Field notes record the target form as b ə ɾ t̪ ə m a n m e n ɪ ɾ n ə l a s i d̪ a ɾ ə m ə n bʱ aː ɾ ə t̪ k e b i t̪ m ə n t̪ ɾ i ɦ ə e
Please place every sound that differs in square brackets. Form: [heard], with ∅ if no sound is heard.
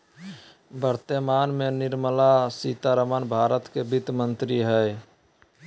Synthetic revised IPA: b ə ɾ t̪ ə m a n m e n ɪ ɾ [m] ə l a s i [t̪] a ɾ ə m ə n bʱ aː ɾ ə t̪ k e b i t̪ m ə n t̪ ɾ i ɦ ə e